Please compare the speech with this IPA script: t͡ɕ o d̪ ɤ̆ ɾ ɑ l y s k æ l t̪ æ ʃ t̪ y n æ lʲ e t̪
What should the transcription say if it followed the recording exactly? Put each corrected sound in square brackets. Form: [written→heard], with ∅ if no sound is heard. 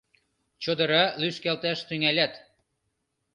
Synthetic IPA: t͡ɕ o d̪ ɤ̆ ɾ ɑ l y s k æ l t̪ æ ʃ t̪ y [n→ŋ] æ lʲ [e→æ] t̪